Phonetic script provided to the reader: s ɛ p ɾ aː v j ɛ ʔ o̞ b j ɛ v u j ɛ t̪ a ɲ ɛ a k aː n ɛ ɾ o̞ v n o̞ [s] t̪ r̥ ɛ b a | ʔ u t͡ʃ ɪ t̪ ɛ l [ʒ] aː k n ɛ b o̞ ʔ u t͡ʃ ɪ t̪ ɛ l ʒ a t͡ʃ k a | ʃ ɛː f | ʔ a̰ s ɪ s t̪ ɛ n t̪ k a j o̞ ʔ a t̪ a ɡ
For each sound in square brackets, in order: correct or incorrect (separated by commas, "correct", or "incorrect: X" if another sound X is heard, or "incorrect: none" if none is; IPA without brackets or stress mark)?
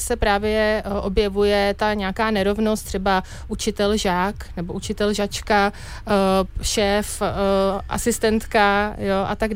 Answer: correct, correct